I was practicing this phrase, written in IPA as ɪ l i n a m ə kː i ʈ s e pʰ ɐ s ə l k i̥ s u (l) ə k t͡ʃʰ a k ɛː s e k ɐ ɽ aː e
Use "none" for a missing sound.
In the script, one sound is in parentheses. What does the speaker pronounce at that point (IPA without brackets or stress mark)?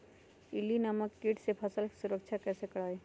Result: ɾ